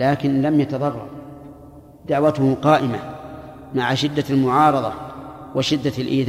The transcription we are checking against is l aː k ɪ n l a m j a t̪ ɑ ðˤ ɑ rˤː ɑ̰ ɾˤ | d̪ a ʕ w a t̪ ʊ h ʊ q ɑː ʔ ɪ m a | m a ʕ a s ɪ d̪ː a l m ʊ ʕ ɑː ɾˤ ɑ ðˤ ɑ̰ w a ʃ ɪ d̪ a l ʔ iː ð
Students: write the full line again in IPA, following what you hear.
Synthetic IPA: l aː k ɪ n l a m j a t̪ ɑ ðˤ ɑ rˤː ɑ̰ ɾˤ | d̪ a ʕ w a t̪ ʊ h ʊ q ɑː ʔ ɪ m a | m a ʕ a ʃ ɪ d̪ː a l m ʊ ʕ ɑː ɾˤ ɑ ðˤ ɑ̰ w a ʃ ɪ d̪ː a l ʔ iː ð